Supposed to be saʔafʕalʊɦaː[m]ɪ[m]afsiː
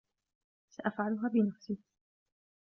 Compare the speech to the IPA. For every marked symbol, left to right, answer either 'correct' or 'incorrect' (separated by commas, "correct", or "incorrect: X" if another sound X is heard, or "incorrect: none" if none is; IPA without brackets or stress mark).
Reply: incorrect: b, incorrect: n